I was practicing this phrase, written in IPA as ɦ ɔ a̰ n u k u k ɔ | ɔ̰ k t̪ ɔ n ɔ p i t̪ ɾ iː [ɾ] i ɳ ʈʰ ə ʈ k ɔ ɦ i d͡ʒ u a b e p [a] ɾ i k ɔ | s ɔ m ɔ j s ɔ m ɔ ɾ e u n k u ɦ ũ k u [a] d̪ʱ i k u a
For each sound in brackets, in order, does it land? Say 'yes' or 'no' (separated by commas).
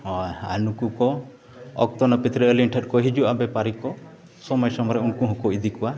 no, yes, no